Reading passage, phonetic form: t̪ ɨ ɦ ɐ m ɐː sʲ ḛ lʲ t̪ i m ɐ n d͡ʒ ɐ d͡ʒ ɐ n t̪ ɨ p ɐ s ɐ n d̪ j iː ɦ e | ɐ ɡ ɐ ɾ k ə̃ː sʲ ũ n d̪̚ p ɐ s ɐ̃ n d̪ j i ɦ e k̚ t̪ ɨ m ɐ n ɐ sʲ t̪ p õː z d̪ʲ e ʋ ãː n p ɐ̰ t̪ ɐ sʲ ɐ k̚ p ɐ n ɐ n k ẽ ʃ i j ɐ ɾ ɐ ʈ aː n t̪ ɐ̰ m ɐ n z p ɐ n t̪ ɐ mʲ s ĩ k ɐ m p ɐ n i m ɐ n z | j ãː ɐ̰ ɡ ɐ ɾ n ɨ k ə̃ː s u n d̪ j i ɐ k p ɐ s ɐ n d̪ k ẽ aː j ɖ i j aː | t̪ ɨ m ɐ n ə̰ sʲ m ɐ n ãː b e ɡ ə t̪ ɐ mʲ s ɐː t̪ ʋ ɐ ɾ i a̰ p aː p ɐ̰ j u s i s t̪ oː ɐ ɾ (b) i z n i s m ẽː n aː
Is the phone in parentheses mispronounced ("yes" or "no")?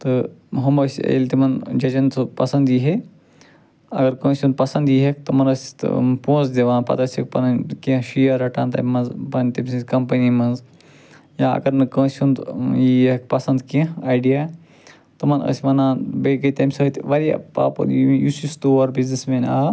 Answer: no